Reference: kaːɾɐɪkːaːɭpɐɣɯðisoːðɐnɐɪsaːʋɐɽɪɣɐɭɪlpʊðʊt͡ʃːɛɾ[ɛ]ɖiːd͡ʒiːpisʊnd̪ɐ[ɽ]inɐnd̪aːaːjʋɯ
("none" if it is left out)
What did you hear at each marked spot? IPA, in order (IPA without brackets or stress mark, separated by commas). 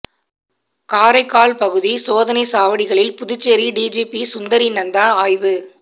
i, ɾ